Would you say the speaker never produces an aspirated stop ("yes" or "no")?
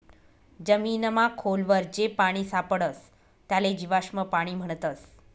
no